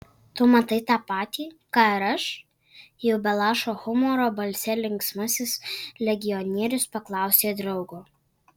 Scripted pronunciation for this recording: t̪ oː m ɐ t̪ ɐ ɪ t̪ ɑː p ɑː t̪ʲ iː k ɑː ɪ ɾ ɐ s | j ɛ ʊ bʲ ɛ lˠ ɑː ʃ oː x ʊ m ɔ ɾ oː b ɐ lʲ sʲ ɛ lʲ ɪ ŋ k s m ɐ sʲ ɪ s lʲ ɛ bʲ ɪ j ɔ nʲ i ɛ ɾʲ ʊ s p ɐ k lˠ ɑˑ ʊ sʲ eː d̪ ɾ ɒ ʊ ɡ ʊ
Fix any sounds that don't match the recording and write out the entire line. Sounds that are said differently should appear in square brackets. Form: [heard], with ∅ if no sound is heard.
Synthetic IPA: t̪ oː m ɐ t̪ ɐ ɪ t̪ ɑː p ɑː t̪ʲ iː k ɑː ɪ ɾ ɐ [ʃ] | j ɛ ʊ bʲ ɛ lˠ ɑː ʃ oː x ʊ m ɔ ɾ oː b ɐ lʲ sʲ ɛ lʲ ɪ ŋ k s m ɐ sʲ ɪ s lʲ ɛ [ɡʲ] ɪ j ɔ nʲ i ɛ ɾʲ ʊ s p ɐ k lˠ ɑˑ ʊ sʲ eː d̪ ɾ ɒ ʊ ɡ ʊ